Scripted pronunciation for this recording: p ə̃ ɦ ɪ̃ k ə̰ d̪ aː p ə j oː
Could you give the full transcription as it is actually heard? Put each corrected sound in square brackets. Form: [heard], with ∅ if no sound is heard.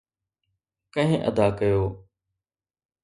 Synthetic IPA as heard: [k] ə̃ ɦ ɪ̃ [ʔ] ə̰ d̪ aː [k] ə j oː